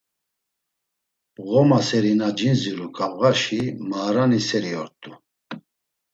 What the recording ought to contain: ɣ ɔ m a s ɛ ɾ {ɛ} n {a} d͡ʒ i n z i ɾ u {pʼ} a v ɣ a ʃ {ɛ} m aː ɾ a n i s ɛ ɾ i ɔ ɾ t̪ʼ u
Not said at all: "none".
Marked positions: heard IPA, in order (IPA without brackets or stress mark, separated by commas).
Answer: i, a, kʼ, i